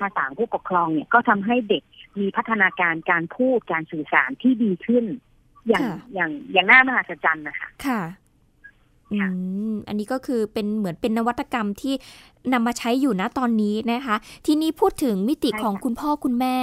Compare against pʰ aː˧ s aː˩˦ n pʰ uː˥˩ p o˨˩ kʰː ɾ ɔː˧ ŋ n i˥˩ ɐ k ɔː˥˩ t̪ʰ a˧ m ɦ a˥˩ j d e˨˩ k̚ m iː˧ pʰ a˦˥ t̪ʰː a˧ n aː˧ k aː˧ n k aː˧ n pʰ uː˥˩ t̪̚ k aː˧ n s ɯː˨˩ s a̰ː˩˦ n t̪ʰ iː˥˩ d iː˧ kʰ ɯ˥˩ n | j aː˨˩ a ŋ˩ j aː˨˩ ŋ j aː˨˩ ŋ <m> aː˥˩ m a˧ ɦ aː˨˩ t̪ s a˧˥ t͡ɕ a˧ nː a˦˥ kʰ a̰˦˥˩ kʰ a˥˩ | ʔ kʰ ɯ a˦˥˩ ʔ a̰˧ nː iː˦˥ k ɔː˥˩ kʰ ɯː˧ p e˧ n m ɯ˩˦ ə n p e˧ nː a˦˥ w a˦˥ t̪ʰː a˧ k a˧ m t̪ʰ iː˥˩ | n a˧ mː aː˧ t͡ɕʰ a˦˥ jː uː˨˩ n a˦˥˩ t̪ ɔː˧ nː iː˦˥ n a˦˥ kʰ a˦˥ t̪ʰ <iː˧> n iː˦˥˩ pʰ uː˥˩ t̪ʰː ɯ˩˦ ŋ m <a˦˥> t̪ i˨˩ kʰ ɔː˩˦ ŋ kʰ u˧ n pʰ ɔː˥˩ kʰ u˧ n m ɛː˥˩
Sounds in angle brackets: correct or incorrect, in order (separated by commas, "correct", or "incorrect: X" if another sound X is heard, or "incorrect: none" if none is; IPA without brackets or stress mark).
incorrect: n, correct, incorrect: i˦˥